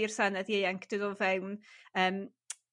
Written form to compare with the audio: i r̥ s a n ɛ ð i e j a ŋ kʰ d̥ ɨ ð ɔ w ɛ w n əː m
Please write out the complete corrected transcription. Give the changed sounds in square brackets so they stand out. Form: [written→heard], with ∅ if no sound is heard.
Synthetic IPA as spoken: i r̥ s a n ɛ ð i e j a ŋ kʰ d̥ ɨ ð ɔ [w→v] ɛ w n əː m